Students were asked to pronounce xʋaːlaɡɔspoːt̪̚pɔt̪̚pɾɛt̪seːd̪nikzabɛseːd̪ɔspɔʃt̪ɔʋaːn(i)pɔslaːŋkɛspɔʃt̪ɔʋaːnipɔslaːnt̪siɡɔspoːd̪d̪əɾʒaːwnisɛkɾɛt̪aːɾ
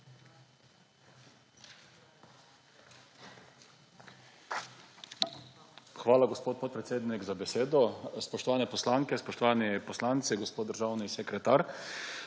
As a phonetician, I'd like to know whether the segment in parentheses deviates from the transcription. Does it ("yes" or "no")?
yes